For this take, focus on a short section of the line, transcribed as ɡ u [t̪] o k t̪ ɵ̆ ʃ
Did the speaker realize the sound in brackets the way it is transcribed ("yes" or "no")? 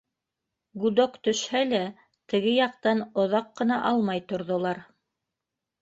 no